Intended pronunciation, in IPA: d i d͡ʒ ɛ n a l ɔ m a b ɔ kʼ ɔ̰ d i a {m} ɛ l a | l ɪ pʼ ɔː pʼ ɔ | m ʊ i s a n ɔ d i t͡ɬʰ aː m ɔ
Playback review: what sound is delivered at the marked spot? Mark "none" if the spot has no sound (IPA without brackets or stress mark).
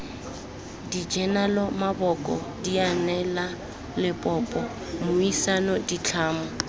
n